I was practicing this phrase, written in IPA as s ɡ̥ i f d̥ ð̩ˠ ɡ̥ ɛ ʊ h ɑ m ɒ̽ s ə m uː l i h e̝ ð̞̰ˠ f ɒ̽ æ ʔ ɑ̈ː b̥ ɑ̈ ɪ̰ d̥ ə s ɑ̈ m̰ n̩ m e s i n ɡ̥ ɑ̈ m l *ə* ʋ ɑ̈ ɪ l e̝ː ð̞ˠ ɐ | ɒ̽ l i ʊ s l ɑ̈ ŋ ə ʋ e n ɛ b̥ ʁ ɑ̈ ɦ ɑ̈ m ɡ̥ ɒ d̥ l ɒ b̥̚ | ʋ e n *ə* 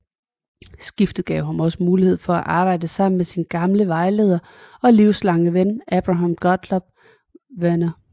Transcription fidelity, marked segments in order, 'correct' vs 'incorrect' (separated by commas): correct, incorrect